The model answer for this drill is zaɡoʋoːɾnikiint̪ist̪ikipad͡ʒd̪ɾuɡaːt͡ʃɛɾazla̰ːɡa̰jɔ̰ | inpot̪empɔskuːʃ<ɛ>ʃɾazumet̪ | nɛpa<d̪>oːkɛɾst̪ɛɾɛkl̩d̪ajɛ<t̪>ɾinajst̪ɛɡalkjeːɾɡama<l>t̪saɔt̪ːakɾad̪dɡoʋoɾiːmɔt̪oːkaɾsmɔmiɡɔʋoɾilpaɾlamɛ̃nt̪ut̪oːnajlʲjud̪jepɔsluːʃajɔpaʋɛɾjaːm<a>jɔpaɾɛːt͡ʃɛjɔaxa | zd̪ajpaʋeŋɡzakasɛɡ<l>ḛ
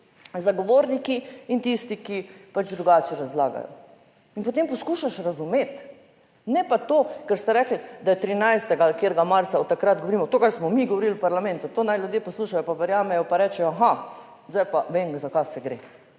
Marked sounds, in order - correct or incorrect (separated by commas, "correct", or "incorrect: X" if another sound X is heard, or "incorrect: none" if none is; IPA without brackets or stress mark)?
incorrect: a, incorrect: t̪, correct, incorrect: ɾ, incorrect: ɛ, incorrect: ɾ